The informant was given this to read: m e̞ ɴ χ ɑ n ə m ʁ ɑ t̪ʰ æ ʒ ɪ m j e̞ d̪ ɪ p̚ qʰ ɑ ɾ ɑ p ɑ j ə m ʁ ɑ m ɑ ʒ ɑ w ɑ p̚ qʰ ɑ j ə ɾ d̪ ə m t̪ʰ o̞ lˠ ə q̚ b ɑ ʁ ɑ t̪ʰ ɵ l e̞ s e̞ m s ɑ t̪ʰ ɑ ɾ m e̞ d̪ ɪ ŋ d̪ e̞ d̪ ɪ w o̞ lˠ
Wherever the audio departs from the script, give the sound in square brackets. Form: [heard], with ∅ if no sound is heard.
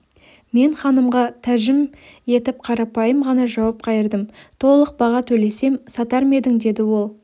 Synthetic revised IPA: m e̞ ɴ χ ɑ n ə m ʁ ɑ t̪ʰ æ ʒ ɪ m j e̞ [t̪] ɪ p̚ qʰ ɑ ɾ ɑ p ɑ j ə m ʁ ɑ [n] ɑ ʒ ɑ w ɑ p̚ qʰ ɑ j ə ɾ d̪ ə m t̪ʰ o̞ lˠ ə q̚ b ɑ ʁ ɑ t̪ʰ ɵ l e̞ s e̞ m s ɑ [t̪] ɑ ɾ m e̞ d̪ ɪ ŋ d̪ e̞ d̪ ɪ w o̞ lˠ